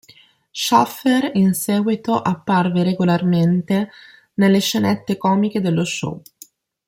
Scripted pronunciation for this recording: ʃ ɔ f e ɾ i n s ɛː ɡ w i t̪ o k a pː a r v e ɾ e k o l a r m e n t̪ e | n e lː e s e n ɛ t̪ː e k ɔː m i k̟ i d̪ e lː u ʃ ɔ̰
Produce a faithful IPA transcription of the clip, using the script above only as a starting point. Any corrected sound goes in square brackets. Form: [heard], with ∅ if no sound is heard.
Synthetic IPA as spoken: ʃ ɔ f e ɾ i n s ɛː ɡ w i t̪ o [ʔ] a pː a r v e ɾ e [ɡ] o l a r m e n t̪ e | n e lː e [ʃ] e n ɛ t̪ː e k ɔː m i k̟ [e] d̪ e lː [o] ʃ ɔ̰